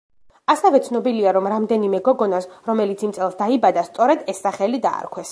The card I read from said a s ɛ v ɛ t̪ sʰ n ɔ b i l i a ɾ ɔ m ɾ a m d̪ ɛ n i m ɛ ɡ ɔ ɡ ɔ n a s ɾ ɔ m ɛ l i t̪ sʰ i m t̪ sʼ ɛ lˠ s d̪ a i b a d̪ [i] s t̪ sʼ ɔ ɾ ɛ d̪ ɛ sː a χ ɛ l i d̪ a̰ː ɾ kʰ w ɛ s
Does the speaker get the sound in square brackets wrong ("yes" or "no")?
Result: yes